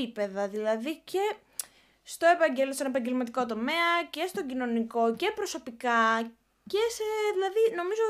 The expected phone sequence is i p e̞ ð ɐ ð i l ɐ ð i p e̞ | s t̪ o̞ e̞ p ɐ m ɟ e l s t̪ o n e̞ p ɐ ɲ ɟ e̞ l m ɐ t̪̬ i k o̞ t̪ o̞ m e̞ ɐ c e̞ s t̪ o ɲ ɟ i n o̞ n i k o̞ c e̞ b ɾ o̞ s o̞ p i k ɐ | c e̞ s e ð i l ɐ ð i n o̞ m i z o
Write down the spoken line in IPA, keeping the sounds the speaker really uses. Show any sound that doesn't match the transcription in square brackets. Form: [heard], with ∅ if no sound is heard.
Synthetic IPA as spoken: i p e̞ ð ɐ ð i l ɐ ð i [c] e̞ | s t̪ o̞ e̞ p ɐ [ɲ] ɟ e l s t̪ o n e̞ p ɐ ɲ ɟ e̞ l m ɐ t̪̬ i k o̞ t̪ o̞ m e̞ ɐ c e̞ s t̪ o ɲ ɟ i n o̞ n i k o̞ c e̞ [p] ɾ o̞ s o̞ p i k ɐ | c e̞ s e ð i l ɐ ð i n o̞ m i z o